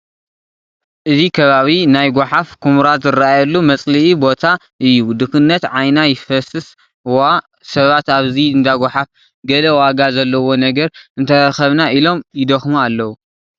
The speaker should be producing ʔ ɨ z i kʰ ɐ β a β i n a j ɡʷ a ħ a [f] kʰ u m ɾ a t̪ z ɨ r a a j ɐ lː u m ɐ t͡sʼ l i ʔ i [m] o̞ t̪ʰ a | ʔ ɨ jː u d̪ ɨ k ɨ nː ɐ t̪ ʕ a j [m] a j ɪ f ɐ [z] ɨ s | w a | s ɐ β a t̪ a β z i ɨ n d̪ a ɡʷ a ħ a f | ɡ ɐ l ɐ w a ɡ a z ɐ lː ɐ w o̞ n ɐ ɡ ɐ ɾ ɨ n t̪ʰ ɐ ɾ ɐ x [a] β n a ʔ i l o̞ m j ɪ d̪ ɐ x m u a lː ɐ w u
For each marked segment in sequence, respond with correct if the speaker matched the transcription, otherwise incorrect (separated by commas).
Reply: correct, incorrect, incorrect, incorrect, incorrect